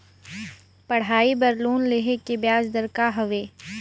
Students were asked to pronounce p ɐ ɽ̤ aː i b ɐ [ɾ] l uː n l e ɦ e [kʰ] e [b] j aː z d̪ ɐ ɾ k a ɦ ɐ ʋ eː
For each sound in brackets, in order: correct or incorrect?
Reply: correct, incorrect, correct

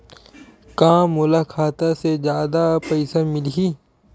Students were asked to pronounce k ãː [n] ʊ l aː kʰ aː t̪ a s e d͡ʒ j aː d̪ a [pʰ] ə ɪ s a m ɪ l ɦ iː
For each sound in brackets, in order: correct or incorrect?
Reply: incorrect, incorrect

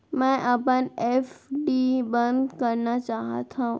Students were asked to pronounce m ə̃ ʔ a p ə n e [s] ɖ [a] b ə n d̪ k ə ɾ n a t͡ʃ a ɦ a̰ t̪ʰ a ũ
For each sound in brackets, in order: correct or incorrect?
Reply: incorrect, incorrect

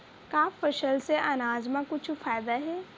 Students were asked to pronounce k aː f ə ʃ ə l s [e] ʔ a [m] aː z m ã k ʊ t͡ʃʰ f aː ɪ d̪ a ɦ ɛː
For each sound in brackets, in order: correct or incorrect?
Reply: correct, incorrect

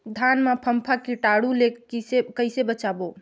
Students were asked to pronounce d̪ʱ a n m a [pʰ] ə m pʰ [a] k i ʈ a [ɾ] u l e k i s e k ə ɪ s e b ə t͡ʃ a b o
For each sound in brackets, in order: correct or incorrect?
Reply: correct, correct, incorrect

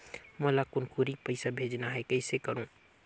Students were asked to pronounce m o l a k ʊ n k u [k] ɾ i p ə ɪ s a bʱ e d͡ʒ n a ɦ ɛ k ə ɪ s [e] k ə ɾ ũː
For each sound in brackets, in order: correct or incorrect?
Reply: incorrect, correct

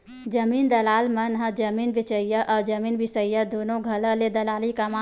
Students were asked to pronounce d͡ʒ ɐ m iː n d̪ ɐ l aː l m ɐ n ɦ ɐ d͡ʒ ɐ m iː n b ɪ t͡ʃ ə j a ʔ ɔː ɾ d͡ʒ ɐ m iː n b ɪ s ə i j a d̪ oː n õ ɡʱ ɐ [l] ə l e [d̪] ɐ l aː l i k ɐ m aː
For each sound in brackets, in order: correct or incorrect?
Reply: correct, correct

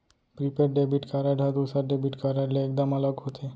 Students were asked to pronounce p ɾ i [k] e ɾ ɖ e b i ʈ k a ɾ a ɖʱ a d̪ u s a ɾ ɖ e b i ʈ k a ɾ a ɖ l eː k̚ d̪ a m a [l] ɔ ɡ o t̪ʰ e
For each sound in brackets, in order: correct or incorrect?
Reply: incorrect, correct

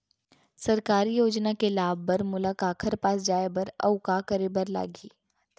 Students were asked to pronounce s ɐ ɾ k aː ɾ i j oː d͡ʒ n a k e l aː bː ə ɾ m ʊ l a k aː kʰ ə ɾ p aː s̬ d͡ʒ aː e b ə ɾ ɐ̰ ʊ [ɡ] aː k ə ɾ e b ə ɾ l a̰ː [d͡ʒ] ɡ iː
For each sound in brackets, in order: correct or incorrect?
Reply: incorrect, incorrect

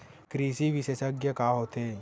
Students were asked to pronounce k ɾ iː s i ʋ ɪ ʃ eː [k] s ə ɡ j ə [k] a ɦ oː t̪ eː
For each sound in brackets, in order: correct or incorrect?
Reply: incorrect, correct

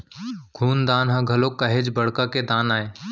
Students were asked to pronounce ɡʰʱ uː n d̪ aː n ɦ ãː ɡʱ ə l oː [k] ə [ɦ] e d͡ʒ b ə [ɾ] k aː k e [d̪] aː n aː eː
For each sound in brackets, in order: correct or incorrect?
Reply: correct, correct, incorrect, correct

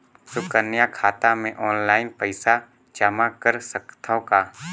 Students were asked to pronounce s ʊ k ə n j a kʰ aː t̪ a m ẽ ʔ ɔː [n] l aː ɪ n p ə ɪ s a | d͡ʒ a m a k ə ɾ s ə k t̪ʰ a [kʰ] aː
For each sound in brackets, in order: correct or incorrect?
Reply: correct, incorrect

